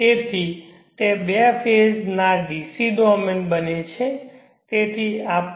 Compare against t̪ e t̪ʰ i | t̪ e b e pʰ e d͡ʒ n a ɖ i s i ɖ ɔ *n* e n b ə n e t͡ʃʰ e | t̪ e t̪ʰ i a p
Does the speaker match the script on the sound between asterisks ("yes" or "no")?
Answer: no